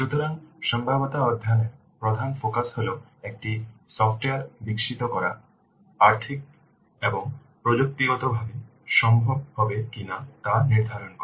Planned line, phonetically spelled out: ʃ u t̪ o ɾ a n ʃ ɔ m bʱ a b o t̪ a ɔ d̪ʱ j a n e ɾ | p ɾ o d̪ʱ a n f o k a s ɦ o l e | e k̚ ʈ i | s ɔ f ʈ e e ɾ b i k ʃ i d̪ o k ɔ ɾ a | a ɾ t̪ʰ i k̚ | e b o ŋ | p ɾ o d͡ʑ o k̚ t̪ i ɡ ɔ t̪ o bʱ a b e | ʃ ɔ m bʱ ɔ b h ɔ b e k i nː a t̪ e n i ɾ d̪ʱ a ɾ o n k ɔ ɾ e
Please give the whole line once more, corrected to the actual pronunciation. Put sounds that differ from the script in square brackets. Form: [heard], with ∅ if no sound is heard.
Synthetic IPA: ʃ u t̪ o ɾ a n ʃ ɔ m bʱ a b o t̪ a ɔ d̪ʱ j a n e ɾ | p ɾ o d̪ʱ a n f o k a s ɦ o l e | e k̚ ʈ i | s ɔ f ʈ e [a] ɾ b i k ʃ i [t̪] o k ɔ ɾ a | a ɾ t̪ʰ i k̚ | e b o ŋ | p ɾ o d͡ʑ o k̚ t̪ i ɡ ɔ t̪ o bʱ a b e | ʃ ɔ m bʱ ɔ b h ɔ b e k i [n] a t̪ [a] n i ɾ d̪ʱ a ɾ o n k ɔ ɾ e